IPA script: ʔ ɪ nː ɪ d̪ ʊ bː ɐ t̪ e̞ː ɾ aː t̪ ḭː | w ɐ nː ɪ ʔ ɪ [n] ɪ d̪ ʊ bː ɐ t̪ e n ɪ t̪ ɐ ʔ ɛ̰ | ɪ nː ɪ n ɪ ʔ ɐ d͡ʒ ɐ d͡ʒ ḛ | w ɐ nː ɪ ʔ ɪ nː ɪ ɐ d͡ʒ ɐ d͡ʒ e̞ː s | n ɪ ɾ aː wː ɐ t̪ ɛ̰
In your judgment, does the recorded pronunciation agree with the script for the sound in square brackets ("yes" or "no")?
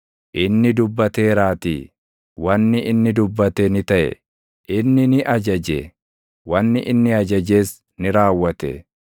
no